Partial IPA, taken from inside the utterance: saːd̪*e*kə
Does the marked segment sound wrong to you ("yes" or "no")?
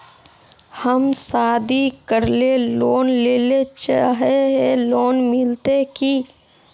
yes